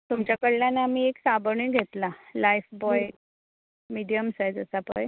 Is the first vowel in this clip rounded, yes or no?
yes